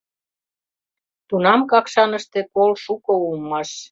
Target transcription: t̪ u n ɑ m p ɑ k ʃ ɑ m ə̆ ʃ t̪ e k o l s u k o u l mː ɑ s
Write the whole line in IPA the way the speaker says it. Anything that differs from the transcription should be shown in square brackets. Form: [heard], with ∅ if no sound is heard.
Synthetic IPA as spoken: t̪ u n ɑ m [k] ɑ k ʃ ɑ [n] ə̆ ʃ t̪ e k o l [ʃ] u k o u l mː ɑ [ʃ]